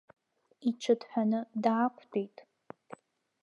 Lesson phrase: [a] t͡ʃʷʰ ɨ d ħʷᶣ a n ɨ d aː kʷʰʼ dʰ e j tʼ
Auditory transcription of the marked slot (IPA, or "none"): i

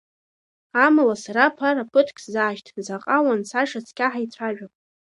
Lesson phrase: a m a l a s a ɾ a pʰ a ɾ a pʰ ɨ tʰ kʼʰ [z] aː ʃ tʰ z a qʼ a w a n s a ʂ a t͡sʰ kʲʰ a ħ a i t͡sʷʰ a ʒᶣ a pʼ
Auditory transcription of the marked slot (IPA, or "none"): z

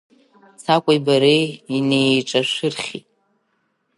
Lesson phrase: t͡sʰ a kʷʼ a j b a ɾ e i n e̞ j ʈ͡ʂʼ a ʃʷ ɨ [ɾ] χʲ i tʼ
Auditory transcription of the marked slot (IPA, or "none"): r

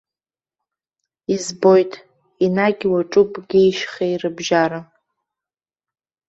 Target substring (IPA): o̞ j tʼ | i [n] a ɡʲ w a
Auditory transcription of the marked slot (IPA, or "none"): n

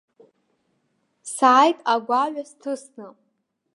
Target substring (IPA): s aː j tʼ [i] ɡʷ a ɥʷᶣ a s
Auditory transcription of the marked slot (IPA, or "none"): a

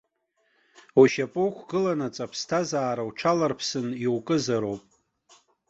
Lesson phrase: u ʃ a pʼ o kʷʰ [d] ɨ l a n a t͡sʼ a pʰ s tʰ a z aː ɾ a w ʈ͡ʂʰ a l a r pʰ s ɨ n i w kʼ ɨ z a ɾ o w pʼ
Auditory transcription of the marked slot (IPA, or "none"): ɡ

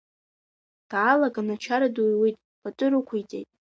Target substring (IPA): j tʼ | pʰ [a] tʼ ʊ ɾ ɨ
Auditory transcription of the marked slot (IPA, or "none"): a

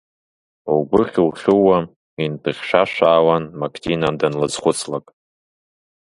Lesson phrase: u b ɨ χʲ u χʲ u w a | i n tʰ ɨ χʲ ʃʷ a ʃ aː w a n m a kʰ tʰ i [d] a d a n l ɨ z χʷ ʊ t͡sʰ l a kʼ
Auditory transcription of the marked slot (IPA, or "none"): n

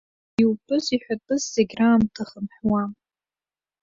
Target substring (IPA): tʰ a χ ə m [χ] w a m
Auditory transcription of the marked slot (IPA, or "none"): ħ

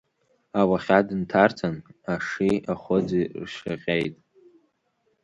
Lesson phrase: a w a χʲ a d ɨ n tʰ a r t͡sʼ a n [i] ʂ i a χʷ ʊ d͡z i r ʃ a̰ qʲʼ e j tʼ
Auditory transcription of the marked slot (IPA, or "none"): a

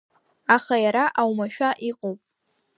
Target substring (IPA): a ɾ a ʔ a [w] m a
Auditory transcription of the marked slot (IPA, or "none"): w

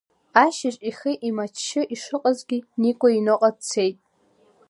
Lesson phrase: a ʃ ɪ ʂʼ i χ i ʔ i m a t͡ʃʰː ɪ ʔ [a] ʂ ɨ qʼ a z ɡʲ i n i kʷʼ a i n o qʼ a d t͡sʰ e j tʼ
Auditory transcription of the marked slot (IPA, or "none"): i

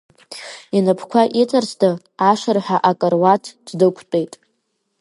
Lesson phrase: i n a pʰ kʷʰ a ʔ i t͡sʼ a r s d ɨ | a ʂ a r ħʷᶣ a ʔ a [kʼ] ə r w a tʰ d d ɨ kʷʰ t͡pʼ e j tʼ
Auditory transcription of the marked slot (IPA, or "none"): kʼ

